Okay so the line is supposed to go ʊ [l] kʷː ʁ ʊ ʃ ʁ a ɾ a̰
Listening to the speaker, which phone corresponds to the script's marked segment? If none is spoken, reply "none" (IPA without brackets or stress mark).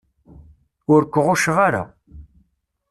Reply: ɾ